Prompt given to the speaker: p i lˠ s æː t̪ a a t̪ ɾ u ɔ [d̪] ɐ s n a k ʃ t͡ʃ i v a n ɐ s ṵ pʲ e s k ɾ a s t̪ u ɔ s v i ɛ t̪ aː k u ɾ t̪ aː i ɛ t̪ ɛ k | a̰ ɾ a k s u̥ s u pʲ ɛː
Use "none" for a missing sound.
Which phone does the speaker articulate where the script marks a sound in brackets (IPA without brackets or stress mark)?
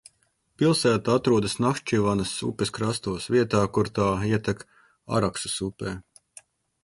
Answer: d̪